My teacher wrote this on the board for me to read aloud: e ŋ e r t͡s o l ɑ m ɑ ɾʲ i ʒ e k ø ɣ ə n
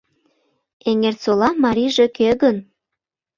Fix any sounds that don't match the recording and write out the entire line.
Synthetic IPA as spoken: e ŋ e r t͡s o l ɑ m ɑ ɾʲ i ʒ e k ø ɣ ə n